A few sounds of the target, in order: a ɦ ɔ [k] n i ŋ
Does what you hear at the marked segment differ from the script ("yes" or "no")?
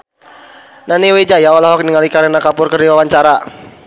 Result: no